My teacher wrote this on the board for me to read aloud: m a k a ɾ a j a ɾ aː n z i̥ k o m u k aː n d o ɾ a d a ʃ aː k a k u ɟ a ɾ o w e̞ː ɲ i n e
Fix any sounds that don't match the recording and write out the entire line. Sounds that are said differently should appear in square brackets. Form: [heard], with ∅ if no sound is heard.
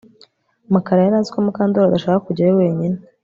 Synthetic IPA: m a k a ɾ a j a ɾ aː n z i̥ k o m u k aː n d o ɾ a d a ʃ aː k a k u ɟ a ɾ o w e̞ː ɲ i n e